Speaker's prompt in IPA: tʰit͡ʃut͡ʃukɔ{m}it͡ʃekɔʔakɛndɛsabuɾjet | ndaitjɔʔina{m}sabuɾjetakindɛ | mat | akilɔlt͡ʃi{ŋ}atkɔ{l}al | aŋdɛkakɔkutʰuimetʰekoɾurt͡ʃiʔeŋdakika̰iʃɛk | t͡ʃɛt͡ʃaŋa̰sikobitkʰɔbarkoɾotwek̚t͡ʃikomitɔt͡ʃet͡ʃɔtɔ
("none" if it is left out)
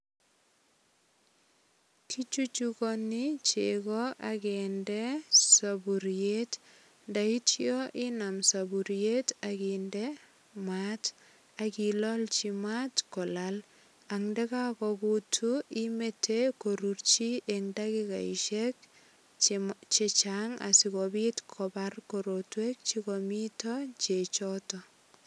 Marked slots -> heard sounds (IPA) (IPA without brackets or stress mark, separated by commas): n, m, m, l